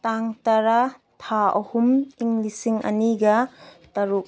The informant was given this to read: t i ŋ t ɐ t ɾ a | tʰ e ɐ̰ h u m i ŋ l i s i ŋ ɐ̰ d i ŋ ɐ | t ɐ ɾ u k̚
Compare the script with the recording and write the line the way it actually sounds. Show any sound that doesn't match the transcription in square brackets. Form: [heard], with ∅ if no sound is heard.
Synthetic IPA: t [a] ŋ t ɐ [∅] ɾ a | tʰ [a] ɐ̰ h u m i ŋ l i s i ŋ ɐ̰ [n] i [ɡ] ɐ | t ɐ ɾ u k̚